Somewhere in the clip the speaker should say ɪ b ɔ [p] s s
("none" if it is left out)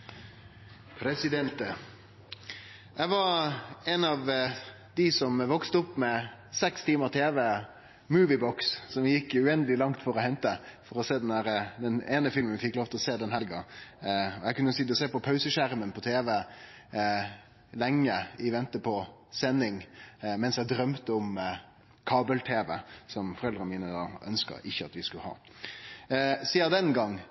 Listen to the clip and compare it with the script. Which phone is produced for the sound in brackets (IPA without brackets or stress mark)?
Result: k